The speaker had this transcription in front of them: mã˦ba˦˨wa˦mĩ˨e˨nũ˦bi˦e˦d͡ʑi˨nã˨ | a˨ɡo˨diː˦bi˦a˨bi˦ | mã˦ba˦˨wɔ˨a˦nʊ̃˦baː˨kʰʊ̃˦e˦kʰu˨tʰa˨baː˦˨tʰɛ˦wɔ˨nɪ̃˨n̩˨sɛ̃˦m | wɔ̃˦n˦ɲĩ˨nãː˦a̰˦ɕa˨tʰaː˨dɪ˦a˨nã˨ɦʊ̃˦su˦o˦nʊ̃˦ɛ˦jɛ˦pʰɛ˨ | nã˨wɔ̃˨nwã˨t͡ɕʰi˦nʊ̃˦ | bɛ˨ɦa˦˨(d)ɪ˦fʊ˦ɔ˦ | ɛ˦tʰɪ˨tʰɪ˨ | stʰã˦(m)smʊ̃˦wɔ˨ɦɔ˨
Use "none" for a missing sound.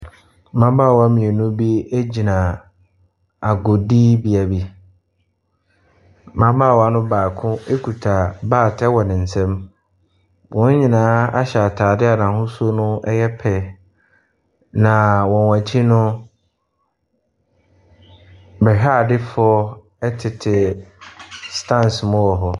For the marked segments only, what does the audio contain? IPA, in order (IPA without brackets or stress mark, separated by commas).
d, n